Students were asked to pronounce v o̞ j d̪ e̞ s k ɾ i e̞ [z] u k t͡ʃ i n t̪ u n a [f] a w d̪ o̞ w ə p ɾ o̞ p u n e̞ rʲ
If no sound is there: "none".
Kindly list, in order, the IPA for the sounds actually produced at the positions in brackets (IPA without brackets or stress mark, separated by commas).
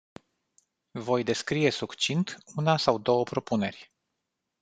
s, s